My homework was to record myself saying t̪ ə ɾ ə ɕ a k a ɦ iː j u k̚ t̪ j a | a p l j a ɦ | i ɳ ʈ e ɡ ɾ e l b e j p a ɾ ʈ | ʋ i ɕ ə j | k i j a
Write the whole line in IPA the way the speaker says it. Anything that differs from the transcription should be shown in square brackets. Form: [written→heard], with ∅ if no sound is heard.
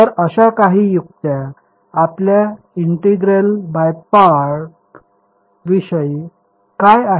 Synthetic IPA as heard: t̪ ə ɾ ə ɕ a k a ɦ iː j u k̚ t̪ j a | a p l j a [ɦ→∅] | i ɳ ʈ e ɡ ɾ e l b [e→a] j p a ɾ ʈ | ʋ i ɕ ə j | k [i→a] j a